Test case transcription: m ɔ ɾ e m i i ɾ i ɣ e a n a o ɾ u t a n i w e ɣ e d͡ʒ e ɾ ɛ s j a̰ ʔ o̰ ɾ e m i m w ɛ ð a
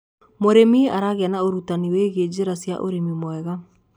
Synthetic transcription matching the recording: m o ɾ e m i a ɾ a ɣ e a n a o ɾ u t a n i w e ɣ e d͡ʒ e ɾ a s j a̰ ʔ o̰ ɾ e m i m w ɛ ɣ a